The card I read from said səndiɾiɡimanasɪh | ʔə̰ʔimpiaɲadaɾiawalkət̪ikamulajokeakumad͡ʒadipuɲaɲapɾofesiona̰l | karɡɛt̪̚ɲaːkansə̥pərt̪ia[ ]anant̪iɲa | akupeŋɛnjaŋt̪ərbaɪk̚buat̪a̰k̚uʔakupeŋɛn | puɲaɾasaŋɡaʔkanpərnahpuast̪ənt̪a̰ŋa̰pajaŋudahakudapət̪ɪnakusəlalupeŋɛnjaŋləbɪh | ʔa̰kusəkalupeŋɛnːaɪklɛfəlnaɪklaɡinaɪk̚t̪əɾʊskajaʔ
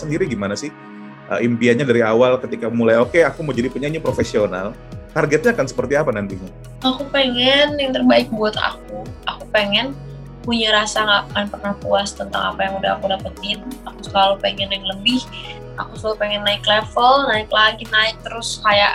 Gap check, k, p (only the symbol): p